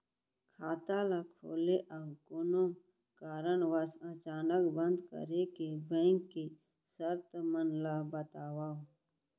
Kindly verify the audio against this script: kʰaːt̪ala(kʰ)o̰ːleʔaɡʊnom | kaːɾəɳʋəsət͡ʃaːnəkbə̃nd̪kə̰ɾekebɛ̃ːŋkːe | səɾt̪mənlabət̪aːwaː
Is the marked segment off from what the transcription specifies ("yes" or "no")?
no